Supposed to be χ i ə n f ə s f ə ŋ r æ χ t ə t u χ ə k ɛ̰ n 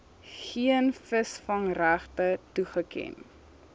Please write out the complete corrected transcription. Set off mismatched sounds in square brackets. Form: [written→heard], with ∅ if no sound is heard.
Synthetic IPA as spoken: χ i ə n f ə s f [ə→ɐ] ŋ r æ χ t ə t u χ ə k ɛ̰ n